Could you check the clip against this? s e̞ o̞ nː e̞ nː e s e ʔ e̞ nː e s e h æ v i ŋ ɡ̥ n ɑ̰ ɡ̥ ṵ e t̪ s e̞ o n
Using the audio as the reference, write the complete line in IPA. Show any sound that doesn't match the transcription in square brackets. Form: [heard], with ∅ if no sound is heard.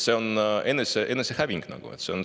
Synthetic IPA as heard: s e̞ o̞ [n] e̞ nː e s e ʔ e̞ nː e s e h æ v i ŋ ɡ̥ n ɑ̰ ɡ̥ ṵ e t̪ s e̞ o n